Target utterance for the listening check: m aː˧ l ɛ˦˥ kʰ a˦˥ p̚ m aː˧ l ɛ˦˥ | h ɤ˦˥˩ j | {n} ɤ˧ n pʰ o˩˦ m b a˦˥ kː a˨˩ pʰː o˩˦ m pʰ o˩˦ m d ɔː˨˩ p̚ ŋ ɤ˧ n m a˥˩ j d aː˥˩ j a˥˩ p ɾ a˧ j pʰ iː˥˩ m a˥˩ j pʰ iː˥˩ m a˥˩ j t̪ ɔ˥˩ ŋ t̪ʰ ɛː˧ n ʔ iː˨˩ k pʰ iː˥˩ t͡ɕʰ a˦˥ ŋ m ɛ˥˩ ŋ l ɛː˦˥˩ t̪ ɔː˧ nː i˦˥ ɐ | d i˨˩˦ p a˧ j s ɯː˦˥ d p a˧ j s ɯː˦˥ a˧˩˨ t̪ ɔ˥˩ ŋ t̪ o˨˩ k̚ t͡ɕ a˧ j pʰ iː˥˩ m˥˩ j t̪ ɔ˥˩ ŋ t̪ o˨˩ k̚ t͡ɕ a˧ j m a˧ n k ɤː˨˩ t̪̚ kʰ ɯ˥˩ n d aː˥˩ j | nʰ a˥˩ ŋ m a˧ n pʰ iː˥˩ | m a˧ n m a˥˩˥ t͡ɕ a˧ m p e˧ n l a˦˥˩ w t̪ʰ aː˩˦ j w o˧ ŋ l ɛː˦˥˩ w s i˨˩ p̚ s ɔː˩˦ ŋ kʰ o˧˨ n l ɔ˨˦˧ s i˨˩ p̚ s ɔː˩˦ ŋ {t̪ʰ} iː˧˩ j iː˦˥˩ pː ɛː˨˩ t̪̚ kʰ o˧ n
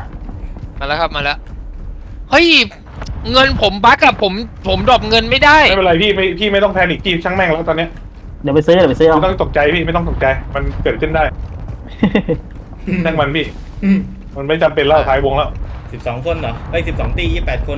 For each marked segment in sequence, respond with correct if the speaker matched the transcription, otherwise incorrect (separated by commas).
incorrect, incorrect